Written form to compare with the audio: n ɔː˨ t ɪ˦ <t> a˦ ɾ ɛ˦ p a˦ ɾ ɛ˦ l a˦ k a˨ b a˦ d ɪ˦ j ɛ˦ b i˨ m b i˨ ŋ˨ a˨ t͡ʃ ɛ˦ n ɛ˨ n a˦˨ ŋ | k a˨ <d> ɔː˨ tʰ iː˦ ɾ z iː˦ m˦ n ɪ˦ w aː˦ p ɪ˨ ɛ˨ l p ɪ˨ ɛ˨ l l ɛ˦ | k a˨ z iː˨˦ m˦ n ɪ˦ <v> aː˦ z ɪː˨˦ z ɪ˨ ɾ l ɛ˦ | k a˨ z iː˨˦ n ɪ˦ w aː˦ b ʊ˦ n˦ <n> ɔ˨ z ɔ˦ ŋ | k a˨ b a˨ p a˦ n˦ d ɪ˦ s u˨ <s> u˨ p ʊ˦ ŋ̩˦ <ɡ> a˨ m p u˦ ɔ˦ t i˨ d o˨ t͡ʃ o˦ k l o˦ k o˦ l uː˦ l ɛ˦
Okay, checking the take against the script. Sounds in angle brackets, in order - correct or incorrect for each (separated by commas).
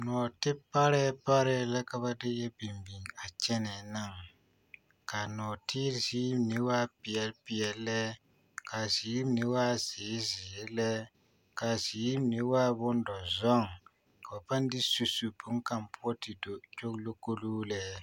incorrect, incorrect, incorrect, incorrect, correct, incorrect